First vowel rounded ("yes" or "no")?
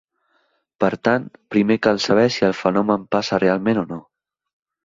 no